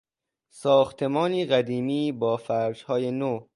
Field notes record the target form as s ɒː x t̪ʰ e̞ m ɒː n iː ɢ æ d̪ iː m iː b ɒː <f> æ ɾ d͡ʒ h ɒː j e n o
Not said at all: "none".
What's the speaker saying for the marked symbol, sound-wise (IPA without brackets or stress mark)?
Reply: f